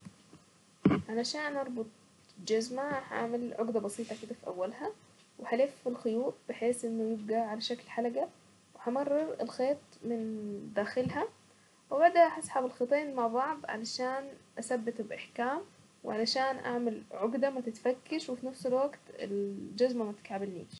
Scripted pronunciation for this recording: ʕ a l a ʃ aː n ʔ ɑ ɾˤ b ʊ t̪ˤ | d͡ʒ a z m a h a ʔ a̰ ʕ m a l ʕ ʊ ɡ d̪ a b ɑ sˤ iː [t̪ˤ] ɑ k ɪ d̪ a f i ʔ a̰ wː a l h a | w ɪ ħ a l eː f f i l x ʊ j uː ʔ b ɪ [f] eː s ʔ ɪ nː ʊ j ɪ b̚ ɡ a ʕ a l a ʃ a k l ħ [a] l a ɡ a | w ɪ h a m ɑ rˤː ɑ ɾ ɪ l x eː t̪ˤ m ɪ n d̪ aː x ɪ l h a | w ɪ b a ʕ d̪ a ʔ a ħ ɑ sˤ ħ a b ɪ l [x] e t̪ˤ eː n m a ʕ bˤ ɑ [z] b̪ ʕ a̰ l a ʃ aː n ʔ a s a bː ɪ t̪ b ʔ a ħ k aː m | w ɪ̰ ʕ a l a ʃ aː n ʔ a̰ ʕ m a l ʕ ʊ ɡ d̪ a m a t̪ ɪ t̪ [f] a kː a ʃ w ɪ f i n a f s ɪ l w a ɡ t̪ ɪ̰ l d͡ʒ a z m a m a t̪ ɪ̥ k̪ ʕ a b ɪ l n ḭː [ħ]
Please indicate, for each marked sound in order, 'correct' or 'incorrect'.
correct, incorrect: ħ, correct, correct, incorrect: ʕ, correct, incorrect: ʃ

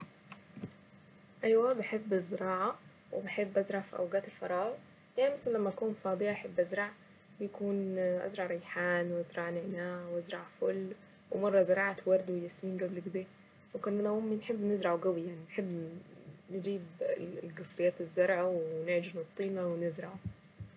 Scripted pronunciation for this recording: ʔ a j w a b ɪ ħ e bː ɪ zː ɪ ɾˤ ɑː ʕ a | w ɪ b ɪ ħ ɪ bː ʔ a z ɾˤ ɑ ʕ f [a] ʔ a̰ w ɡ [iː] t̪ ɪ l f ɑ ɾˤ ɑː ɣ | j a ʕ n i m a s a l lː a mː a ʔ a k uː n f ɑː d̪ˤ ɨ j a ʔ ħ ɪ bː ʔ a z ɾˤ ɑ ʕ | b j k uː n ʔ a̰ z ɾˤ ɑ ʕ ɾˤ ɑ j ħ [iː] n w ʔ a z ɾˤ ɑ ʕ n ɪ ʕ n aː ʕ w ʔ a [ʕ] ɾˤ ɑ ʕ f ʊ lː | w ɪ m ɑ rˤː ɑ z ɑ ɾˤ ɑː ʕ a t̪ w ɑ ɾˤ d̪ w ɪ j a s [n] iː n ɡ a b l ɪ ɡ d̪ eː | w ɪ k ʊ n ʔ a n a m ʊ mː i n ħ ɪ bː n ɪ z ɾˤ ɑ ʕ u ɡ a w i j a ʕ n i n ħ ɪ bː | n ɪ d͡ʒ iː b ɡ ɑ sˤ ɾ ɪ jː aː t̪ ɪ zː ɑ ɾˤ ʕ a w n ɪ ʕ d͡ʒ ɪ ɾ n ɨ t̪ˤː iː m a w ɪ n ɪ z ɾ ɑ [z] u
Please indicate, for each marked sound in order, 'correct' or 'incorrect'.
incorrect: i, incorrect: aː, incorrect: aː, incorrect: z, incorrect: m, incorrect: ʕ

